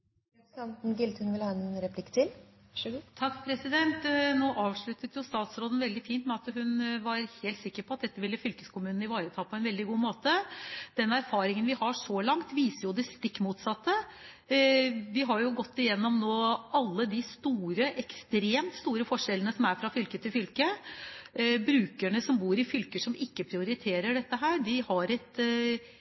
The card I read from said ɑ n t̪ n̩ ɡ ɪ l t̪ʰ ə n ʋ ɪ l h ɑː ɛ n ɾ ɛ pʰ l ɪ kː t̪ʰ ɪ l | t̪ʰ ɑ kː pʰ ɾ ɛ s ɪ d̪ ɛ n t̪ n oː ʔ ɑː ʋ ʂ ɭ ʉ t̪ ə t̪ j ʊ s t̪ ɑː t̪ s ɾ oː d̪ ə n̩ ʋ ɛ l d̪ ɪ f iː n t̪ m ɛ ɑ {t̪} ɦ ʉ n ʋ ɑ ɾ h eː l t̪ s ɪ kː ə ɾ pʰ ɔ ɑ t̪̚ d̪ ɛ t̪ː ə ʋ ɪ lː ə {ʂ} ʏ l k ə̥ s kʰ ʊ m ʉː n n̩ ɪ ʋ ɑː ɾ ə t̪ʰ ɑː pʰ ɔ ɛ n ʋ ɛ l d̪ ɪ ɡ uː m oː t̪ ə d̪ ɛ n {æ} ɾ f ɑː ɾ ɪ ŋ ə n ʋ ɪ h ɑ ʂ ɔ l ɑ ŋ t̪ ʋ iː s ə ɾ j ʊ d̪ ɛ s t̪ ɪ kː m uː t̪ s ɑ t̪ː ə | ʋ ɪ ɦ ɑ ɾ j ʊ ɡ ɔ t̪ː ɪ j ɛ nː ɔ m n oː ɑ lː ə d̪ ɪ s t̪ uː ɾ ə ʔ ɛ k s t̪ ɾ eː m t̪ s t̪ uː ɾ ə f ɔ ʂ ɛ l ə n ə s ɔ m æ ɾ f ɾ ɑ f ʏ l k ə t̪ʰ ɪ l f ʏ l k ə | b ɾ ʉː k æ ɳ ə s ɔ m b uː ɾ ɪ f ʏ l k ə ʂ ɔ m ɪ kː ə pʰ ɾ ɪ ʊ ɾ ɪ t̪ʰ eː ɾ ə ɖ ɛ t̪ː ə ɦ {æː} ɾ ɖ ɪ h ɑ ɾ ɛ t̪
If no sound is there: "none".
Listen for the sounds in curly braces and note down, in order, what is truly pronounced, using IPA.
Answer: t̪, f, æ, æː

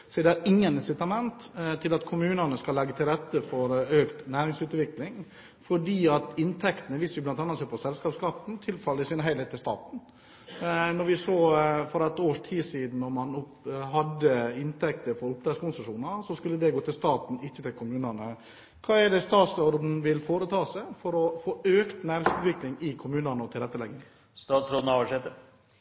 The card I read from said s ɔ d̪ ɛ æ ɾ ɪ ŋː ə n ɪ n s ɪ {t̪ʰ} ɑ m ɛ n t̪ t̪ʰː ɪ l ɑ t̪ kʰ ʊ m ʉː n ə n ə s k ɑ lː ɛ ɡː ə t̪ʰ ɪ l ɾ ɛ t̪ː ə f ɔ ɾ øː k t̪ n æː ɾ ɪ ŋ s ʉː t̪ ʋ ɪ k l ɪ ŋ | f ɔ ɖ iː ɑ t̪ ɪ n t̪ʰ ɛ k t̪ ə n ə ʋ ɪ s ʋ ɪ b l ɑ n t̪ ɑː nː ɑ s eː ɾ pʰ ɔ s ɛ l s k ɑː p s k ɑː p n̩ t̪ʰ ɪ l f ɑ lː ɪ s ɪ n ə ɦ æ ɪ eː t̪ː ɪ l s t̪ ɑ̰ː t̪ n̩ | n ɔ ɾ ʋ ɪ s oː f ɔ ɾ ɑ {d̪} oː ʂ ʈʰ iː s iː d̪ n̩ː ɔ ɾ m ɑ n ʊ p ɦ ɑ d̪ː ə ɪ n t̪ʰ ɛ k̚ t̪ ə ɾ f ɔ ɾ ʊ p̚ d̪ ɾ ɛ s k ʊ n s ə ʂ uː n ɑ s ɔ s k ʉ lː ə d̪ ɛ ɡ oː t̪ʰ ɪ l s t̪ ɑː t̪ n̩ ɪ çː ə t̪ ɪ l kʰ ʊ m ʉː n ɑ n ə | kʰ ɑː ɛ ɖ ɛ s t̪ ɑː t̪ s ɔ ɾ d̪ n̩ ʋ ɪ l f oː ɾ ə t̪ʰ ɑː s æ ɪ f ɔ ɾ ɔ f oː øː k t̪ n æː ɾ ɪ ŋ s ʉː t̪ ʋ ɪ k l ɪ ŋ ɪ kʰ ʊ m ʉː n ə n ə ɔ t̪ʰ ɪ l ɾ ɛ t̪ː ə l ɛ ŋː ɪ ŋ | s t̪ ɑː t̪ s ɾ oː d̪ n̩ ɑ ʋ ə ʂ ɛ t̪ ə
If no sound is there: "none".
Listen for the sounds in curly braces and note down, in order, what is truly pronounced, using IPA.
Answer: t̪, t̪

